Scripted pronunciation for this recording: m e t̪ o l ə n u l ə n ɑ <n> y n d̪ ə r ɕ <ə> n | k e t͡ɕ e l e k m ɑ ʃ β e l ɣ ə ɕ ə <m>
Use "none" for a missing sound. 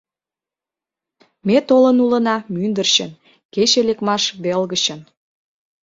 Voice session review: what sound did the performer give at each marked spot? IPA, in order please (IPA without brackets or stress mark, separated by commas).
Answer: m, ə, n